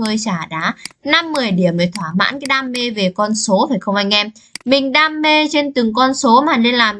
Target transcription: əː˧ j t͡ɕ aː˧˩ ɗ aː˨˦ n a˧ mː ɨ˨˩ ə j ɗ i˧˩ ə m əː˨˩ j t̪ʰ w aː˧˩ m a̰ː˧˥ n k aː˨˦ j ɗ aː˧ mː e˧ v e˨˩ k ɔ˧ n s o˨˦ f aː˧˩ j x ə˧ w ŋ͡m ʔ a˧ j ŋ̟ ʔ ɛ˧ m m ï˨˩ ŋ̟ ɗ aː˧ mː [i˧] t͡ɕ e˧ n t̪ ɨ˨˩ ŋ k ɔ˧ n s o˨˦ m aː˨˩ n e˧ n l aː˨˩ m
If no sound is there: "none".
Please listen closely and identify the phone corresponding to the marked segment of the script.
e˧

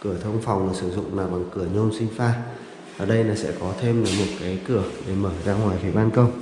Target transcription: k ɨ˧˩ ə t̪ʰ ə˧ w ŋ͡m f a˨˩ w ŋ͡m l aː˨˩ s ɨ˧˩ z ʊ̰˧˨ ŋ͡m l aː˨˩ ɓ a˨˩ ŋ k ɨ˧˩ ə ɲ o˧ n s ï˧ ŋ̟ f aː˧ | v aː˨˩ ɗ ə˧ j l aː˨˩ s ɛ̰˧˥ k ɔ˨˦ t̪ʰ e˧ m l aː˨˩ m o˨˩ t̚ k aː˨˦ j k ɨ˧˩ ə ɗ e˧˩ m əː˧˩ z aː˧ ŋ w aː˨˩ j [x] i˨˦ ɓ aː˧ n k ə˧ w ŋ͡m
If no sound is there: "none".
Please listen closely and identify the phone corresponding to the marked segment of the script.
f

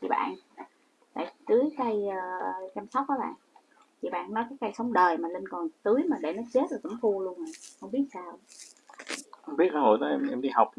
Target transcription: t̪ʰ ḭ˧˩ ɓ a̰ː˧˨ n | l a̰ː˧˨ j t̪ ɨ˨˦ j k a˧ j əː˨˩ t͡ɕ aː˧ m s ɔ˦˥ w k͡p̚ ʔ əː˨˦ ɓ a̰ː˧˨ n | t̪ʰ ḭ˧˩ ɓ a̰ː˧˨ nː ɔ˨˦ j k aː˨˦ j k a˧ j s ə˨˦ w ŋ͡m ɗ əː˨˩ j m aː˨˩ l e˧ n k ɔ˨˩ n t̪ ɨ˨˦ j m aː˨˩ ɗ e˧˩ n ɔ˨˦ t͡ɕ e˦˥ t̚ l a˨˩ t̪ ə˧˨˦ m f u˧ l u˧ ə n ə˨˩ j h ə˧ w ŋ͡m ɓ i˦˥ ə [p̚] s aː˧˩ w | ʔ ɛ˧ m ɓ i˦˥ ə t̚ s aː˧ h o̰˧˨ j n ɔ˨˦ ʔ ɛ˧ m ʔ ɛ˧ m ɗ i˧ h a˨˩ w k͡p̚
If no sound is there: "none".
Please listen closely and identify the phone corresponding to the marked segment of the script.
t̚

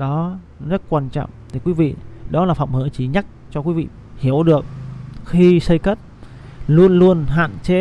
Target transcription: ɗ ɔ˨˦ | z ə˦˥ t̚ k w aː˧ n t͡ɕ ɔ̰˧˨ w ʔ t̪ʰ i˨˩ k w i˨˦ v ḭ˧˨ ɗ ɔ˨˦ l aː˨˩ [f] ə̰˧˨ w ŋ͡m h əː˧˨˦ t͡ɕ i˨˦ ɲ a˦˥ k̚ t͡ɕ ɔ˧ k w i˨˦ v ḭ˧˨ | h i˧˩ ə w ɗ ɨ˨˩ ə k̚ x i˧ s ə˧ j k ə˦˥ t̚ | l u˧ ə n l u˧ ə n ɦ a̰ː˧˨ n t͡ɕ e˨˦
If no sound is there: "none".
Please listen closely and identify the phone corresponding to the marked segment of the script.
f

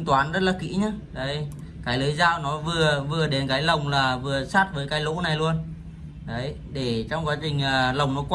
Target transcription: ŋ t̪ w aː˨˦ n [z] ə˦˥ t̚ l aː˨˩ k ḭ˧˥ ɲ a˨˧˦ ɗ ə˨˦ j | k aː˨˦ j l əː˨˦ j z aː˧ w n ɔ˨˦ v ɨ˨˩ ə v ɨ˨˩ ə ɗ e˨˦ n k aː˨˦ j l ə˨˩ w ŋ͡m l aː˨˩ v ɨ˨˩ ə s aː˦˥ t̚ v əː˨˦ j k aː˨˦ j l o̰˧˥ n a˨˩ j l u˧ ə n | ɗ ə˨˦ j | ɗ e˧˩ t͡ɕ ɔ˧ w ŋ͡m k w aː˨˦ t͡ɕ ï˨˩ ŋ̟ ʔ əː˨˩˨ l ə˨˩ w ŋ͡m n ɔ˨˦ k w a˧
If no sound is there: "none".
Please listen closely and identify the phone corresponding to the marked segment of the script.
z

